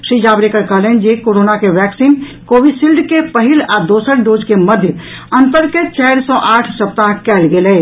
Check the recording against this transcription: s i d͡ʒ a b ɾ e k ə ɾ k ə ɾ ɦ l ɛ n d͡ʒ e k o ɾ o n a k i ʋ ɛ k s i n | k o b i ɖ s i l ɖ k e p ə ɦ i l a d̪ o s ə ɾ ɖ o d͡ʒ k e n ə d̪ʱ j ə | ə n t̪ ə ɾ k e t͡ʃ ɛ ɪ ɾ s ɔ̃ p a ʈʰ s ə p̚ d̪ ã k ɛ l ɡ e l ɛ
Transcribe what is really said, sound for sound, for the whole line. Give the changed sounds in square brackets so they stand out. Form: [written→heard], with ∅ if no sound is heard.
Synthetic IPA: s i d͡ʒ a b ɾ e k ə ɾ k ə [ɾ→∅] ɦ l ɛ n d͡ʒ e k o ɾ o n a k [i→e] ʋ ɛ k s i n | k o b i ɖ s i l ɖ k e p ə ɦ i l a d̪ o s ə ɾ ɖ o d͡ʒ k e [n→m] ə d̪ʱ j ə | ə n t̪ ə ɾ k e t͡ʃ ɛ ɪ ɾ s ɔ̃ [p→ʔ] a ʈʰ s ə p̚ [d̪→t̪] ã k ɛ l ɡ e l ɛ